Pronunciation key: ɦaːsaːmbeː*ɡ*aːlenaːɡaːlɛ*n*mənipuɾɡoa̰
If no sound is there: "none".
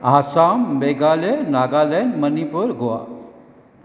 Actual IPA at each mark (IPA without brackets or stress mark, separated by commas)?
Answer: ɡ, n